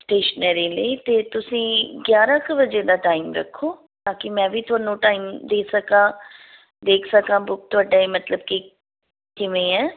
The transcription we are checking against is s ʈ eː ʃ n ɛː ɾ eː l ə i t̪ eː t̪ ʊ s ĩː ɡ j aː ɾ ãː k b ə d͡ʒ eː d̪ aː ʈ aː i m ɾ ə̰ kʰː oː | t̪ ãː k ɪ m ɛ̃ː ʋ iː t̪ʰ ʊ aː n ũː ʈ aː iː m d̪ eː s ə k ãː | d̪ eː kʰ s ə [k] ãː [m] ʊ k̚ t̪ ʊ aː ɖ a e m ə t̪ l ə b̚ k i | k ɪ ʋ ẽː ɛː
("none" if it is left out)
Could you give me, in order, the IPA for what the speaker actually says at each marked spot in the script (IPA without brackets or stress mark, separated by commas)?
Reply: k, b